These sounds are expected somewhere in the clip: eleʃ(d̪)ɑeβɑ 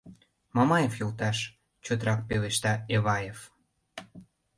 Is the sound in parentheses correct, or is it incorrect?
incorrect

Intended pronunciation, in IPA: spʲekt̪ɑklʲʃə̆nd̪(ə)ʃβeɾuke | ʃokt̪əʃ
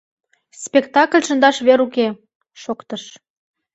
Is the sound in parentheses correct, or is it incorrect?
incorrect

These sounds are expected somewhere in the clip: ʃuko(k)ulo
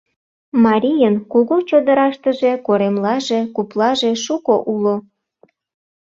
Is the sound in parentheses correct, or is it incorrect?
incorrect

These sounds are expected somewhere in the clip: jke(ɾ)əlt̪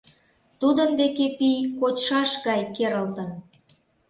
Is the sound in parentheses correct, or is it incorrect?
correct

